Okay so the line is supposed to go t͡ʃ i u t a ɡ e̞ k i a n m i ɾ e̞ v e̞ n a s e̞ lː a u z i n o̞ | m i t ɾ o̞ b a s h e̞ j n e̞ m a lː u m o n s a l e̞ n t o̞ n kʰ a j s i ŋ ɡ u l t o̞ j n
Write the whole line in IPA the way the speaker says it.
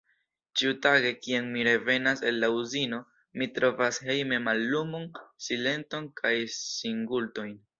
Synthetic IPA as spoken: t͡ʃ i u t a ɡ e̞ k i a n m i ɾ e̞ v e̞ n a s e̞ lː a u z i n o̞ | m i t ɾ o̞ v a s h e̞ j m e̞ m a lː u m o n s i l e̞ n t o̞ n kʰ a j s i ŋ ɡ u l t o̞ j n